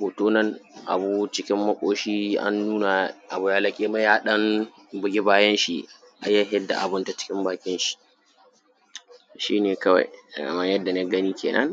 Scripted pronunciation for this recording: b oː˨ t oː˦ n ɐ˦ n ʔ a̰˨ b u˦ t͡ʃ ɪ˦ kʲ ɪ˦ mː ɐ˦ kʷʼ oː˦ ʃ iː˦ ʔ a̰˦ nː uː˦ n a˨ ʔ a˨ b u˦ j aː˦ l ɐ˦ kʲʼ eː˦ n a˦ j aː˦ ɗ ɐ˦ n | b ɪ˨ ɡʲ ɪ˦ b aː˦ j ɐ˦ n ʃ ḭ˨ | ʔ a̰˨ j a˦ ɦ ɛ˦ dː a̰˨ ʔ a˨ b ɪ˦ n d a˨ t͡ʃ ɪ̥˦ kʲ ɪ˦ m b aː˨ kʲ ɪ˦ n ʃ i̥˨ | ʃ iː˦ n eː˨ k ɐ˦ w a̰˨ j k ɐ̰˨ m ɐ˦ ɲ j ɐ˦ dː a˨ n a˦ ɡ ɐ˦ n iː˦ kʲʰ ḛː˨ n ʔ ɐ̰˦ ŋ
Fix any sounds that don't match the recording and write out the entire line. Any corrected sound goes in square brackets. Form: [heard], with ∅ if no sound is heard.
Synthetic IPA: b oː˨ t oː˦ n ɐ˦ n ʔ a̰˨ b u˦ t͡ʃ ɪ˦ kʲ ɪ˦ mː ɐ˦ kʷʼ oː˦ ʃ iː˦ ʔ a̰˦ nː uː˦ n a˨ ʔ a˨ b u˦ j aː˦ l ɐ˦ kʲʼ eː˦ [m] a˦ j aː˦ ɗ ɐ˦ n | b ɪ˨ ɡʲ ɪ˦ b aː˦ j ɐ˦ n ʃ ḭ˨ | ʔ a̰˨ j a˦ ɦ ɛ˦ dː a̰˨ ʔ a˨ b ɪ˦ n [t] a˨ t͡ʃ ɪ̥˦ kʲ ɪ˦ m b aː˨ kʲ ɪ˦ n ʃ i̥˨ | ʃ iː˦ n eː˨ k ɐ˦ w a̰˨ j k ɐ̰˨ m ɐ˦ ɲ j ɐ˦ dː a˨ n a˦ ɡ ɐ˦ n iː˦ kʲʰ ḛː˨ n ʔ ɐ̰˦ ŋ